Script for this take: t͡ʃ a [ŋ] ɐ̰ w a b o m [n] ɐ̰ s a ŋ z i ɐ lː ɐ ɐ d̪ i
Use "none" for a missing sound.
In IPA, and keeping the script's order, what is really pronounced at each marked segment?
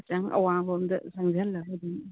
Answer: ŋ, d

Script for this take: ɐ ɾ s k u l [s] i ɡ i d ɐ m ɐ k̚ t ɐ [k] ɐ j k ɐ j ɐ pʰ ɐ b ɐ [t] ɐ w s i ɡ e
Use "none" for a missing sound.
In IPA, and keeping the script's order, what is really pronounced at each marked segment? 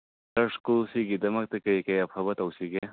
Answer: s, k, t

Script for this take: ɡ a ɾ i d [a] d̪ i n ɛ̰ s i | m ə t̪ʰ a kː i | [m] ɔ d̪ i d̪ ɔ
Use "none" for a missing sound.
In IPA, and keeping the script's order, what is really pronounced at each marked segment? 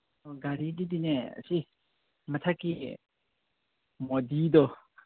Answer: i, m

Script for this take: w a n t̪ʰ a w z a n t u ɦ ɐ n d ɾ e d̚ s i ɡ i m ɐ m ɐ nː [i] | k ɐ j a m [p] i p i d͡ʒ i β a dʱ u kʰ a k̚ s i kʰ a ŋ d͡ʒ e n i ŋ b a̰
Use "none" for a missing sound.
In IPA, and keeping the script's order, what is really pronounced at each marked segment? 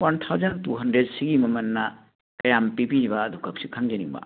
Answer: a, p

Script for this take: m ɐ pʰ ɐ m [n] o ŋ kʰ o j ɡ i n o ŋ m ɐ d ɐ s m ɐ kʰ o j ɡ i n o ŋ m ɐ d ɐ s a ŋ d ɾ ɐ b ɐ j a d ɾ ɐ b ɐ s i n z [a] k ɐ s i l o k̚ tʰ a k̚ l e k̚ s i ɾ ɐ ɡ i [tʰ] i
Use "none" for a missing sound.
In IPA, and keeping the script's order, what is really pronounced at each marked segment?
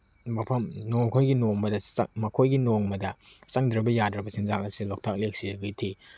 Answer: n, a, tʰ

